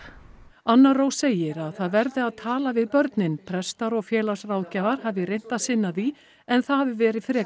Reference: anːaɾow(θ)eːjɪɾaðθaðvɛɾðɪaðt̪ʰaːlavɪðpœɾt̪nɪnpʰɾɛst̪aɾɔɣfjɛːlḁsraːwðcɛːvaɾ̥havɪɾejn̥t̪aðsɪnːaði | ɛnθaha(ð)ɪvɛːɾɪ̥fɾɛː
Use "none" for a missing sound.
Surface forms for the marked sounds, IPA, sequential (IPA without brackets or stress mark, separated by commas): s, v